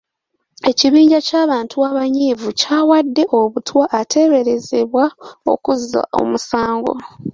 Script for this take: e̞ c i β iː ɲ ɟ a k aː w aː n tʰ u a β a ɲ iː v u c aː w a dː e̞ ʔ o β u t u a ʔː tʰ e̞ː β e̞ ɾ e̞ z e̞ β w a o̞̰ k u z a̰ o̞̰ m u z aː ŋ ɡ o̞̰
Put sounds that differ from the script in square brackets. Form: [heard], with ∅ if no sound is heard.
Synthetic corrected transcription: e̞ c i β iː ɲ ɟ a [c] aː [β] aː n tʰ u a β a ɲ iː v u c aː w a dː e̞ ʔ o β u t [w] a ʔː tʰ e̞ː β e̞ ɾ e̞ z e̞ β w a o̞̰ k u z a̰ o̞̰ m u [s] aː ŋ ɡ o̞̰